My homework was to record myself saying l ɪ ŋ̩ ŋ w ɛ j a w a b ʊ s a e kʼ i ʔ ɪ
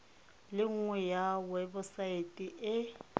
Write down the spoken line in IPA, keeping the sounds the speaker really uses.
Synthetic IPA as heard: l ɪ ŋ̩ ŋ w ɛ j a w ɛ b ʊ s a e tʼ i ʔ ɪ